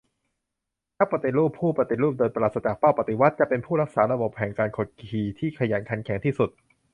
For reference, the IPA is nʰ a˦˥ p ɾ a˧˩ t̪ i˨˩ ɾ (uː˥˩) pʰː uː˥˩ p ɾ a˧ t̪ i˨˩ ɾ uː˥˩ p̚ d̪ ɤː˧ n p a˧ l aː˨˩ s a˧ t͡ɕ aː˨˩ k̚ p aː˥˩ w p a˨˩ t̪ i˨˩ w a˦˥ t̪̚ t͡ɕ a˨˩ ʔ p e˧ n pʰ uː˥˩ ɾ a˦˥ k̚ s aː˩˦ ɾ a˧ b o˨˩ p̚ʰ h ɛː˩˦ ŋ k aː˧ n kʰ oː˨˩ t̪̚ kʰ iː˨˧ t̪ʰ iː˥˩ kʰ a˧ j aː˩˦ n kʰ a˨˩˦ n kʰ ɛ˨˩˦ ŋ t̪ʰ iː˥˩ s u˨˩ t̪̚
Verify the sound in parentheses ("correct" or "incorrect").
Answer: correct